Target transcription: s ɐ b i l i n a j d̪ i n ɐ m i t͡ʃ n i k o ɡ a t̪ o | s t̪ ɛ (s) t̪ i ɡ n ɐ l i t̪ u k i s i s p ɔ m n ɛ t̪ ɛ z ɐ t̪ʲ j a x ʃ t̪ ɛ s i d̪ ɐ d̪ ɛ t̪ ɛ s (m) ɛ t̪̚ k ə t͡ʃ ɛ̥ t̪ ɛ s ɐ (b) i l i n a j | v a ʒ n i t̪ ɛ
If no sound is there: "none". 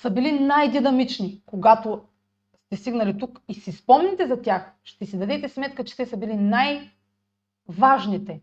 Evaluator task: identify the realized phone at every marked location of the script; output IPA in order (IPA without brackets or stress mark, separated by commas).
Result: s, m, b